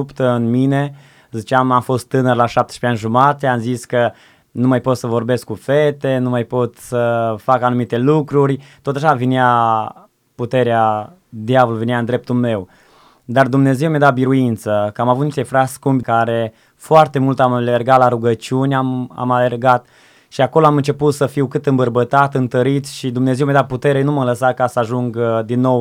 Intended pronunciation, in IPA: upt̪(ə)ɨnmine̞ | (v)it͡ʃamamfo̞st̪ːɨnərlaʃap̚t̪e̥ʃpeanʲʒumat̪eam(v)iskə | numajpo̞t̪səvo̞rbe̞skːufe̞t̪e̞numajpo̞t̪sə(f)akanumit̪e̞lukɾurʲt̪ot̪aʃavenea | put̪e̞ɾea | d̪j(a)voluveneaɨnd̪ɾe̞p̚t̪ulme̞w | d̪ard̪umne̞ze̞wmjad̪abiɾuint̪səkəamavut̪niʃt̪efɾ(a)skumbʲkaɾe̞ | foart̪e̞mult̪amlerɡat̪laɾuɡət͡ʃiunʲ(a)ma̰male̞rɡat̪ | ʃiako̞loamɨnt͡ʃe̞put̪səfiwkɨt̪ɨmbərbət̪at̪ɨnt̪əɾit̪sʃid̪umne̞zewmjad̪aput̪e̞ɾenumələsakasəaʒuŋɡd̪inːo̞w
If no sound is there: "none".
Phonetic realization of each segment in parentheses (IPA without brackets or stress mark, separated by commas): ə, z, z, f, a, a, a